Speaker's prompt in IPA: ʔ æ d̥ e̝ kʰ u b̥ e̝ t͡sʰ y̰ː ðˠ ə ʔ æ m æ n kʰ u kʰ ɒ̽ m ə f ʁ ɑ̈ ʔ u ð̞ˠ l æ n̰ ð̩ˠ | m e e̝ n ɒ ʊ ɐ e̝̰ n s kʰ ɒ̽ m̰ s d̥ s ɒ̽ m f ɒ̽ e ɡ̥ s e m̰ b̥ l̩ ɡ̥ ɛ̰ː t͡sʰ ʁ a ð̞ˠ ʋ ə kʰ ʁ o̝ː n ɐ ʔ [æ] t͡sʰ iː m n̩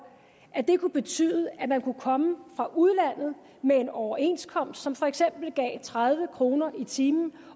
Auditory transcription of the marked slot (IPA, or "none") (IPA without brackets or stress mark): i